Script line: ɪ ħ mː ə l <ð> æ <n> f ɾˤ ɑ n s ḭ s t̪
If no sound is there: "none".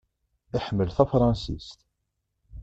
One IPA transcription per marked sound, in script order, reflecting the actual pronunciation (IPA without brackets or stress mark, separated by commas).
θ, none